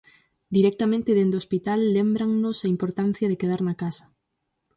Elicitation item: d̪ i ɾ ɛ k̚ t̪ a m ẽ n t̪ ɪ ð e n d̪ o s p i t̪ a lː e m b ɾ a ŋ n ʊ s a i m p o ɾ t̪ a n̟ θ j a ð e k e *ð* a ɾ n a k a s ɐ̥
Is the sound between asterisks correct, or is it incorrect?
correct